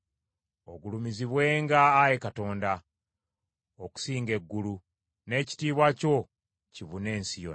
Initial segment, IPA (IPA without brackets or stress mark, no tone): o̞